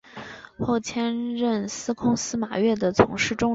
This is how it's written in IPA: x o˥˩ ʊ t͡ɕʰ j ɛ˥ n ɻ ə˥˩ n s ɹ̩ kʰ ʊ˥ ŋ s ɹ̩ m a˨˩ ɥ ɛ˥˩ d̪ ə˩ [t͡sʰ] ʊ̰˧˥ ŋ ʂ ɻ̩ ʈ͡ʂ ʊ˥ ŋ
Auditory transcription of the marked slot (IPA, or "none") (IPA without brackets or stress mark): t͡sʰ